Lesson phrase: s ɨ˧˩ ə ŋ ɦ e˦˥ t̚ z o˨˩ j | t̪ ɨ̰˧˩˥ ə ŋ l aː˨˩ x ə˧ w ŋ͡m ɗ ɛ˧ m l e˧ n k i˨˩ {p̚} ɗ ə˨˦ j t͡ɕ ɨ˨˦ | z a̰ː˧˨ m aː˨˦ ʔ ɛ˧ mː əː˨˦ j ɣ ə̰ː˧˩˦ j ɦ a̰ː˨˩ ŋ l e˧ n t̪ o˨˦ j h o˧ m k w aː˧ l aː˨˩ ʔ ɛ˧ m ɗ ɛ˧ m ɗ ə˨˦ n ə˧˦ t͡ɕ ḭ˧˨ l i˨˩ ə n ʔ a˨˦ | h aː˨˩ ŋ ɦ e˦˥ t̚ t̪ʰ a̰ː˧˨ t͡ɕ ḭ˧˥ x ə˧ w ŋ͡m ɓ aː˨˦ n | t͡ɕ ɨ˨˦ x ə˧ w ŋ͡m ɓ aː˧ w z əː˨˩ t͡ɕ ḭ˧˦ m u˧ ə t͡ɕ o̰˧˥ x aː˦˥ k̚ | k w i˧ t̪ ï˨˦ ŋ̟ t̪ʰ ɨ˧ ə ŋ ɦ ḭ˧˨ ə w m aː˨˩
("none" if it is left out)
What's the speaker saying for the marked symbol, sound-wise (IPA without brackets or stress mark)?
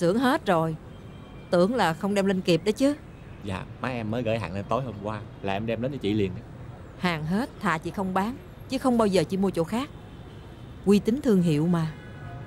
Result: p̚